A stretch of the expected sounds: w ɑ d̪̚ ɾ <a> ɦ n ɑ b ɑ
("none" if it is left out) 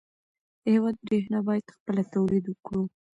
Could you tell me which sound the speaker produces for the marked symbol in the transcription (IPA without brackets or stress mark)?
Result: e